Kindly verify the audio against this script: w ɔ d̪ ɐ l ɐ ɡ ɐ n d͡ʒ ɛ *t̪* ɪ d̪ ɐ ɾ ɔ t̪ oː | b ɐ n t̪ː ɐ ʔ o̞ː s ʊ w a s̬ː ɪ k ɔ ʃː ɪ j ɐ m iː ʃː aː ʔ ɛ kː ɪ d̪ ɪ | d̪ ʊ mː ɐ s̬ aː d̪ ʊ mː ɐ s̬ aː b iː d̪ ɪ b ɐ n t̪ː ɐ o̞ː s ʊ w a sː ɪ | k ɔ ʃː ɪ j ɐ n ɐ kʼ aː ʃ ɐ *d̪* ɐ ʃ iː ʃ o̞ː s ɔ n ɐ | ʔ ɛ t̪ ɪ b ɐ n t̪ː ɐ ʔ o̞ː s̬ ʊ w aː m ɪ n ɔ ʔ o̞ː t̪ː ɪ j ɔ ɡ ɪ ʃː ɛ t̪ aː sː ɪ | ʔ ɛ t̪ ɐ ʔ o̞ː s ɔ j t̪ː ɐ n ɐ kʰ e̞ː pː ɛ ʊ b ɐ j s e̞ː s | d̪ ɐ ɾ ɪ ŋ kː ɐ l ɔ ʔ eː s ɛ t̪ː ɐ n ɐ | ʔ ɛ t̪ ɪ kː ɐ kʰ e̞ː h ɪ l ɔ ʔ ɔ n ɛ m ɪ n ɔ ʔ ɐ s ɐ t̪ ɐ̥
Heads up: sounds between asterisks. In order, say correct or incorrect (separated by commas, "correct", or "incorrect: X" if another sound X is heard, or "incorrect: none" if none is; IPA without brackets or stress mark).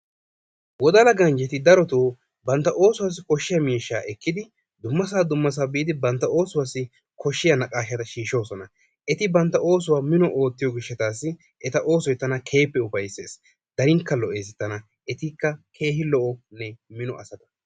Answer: correct, incorrect: t̪